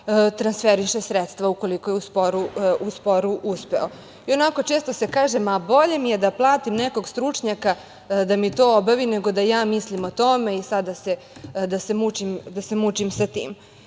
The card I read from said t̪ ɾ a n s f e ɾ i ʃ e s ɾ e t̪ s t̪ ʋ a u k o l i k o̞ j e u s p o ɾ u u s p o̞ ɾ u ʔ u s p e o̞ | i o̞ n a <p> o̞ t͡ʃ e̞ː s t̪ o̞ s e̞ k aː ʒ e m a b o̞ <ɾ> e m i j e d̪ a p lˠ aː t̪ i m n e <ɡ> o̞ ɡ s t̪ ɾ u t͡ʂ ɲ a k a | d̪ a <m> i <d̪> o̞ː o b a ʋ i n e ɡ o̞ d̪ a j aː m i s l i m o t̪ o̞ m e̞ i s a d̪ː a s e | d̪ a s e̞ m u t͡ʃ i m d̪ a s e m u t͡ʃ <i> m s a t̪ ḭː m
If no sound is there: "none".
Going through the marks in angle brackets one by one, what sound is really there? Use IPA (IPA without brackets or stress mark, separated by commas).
k, ʎ, k, m, t̪, i